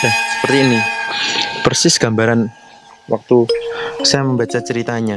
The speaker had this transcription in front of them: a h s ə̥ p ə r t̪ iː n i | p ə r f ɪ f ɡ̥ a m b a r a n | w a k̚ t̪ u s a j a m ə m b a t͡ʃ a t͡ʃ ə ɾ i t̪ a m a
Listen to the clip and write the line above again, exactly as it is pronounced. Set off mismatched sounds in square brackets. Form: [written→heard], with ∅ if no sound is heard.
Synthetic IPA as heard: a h s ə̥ p ə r t̪ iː n i | p ə r [f→s] ɪ [f→s] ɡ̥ a m b a [r→ɾ] a n | w a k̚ t̪ u s a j a m ə m b a t͡ʃ a t͡ʃ ə ɾ i t̪ a [m→ɲ] a